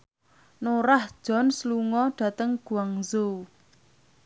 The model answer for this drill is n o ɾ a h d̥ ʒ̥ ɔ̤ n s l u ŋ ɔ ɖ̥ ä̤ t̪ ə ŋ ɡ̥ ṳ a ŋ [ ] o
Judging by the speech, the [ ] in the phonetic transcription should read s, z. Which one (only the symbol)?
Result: z